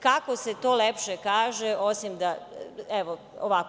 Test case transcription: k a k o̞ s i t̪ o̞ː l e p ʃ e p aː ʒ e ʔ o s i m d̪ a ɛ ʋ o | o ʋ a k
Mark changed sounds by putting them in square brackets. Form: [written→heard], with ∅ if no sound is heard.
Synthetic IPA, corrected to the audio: k a k o̞ s [i→e] t̪ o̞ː l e p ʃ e [p→k] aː ʒ e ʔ o s i m d̪ a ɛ ʋ o | o ʋ a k